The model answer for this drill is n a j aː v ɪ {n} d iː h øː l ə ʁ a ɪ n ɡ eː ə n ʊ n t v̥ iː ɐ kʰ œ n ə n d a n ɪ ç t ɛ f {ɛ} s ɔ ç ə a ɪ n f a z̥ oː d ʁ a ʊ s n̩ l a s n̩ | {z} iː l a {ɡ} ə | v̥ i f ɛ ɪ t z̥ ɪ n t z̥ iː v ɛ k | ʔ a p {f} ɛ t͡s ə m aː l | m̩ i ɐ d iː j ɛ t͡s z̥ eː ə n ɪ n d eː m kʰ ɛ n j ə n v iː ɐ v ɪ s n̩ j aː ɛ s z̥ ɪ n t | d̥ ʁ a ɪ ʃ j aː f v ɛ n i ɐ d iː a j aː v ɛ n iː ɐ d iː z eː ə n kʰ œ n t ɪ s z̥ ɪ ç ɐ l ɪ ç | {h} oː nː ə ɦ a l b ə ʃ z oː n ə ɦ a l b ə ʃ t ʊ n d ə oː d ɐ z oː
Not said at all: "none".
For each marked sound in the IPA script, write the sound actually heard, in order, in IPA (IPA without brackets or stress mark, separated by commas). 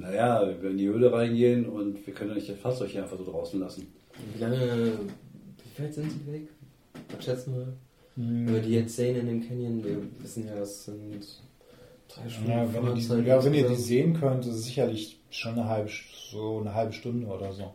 n, a, v, ŋ, ʃ, ʃ